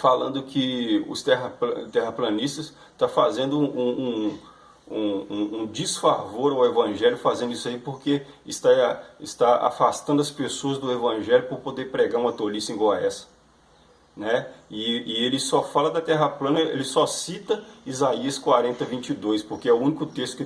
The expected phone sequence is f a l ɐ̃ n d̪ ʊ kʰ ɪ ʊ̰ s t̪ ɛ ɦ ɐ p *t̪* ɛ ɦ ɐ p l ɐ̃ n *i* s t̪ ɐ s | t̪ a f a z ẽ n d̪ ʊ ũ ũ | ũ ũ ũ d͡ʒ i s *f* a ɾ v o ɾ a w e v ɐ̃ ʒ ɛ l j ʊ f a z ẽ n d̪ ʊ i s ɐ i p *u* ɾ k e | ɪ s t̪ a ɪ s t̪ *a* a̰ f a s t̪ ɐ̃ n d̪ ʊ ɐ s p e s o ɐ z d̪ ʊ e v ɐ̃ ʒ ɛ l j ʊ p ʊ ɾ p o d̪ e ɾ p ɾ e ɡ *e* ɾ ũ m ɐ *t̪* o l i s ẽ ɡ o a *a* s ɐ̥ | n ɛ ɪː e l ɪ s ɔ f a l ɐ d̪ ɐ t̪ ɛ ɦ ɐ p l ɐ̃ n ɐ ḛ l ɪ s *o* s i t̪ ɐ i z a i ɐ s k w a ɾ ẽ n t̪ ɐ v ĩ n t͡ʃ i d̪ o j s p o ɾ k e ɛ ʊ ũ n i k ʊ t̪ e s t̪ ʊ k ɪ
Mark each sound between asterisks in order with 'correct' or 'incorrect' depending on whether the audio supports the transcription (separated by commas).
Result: correct, correct, correct, incorrect, correct, incorrect, correct, incorrect, incorrect